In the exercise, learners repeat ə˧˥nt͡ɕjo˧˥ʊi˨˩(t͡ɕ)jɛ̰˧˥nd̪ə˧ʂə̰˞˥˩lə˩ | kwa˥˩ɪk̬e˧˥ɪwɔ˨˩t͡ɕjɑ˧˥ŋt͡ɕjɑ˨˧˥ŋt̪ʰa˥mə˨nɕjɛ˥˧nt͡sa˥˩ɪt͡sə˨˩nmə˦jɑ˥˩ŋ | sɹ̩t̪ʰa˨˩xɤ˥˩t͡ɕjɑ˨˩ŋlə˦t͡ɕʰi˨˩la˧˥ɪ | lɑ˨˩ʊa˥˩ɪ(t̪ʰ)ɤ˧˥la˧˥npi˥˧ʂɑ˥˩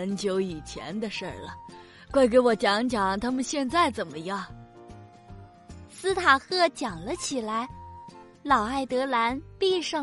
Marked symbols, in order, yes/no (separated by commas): no, no